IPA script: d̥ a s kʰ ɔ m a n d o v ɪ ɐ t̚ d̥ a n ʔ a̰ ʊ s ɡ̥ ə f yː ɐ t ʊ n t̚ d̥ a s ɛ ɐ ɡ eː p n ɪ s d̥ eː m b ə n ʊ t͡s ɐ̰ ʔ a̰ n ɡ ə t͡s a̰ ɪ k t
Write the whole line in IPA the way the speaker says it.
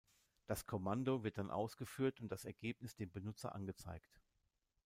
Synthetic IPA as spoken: d̥ a s kʰ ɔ m a n d o v ɪ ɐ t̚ d̥ a n ʔ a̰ ʊ s ɡ̥ ə f yː ɐ t ʊ n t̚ d̥ a s ɛ ɐ ɡ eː p n ɪ s d̥ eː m b ə n ʊ t͡s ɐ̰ ʔ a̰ n ɡ ə t͡s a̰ ɪ k t